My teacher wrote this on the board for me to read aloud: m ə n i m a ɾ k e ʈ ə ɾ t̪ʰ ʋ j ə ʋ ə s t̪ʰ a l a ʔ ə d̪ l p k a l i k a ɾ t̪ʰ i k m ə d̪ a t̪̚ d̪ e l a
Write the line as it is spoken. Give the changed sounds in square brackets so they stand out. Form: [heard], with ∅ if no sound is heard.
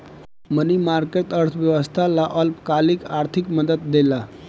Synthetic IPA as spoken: m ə n i m a ɾ k e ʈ ə ɾ t̪ʰ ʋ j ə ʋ ə s t̪ʰ a l a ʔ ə [∅] l p k a l i k a ɾ t̪ʰ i k m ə d̪ [ə] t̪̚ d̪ e l a